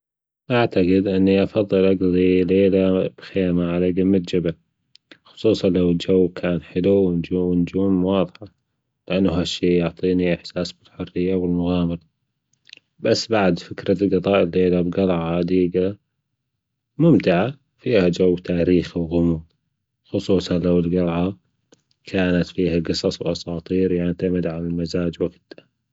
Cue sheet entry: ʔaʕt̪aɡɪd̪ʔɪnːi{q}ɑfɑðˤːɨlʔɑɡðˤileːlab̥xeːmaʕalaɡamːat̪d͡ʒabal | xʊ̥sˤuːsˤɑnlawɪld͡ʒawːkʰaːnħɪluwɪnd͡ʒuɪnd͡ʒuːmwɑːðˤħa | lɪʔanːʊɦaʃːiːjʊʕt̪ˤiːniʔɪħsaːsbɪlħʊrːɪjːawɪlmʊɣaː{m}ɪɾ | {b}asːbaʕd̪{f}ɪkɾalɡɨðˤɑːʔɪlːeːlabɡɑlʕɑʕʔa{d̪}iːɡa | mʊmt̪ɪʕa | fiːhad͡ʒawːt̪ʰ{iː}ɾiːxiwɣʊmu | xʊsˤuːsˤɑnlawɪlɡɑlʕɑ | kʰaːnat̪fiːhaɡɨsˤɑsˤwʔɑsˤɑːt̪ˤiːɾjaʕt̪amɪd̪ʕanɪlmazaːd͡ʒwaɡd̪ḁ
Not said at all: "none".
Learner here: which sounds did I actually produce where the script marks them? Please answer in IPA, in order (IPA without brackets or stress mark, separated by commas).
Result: ʔ, m, b, f, d̪, aː